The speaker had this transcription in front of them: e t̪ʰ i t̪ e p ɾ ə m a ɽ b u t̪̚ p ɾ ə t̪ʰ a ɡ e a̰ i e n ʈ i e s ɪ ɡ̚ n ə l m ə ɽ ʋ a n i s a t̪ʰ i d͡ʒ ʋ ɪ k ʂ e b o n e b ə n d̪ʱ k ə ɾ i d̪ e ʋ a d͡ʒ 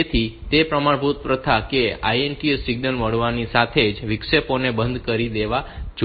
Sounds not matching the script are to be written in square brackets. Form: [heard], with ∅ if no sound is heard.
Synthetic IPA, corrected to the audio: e t̪ʰ i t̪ e p ɾ ə m a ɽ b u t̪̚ p ɾ ə t̪ʰ a [k] e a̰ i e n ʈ i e s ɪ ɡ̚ n ə l m ə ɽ ʋ a n i s a t̪ʰ [e] d͡ʒ ʋ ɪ k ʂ e [p] o n e b ə n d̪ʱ k ə ɾ i d̪ e ʋ a d͡ʒ